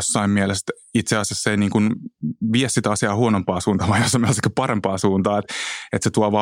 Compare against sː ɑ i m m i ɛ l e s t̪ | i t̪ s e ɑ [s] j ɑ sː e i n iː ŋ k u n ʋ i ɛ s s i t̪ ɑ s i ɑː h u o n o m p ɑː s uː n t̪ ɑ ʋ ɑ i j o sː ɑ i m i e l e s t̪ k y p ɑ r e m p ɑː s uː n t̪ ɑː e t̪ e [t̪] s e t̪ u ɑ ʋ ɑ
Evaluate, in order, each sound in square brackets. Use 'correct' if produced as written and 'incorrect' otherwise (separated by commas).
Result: correct, correct